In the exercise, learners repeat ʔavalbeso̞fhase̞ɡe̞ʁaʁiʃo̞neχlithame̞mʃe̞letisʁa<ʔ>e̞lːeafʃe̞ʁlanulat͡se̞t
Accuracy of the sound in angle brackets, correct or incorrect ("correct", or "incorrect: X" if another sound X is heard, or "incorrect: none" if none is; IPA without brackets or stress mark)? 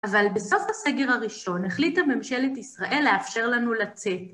correct